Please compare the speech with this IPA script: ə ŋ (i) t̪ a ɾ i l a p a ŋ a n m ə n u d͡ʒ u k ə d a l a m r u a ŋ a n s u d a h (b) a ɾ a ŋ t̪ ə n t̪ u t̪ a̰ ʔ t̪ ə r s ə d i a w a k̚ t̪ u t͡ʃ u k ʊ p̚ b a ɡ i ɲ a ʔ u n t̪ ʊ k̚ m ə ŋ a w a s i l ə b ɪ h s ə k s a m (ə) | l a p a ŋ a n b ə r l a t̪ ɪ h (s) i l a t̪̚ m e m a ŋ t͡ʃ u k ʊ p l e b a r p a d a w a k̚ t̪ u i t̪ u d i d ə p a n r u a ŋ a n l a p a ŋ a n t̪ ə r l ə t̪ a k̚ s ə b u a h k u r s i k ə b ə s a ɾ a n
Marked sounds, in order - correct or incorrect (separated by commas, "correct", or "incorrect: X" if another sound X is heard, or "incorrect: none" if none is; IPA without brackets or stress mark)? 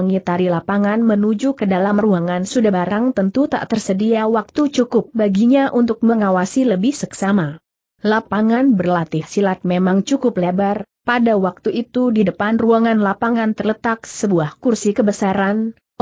correct, correct, incorrect: a, correct